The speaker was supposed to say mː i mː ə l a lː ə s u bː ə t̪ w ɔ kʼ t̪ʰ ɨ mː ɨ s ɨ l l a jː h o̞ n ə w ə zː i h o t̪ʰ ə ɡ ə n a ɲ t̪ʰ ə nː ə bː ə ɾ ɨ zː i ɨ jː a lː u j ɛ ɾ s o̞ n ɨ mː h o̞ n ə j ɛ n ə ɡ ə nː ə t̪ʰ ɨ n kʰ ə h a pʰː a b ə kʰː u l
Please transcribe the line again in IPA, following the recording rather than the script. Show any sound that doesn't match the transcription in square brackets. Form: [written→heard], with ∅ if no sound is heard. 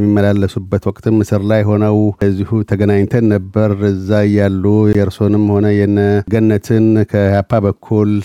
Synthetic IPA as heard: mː i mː ə l a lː ə s u bː ə t̪ w ɔ kʼ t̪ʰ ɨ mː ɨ s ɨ [l→ɾ] l a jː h o̞ n ə w ə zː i h [o→u] t̪ʰ ə ɡ ə n a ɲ t̪ʰ ə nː ə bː ə ɾ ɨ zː [i→a] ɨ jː a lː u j ɛ ɾ s o̞ n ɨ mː h o̞ n ə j ɛ n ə ɡ ə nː ə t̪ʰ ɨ n kʰ ə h a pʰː a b ə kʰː u l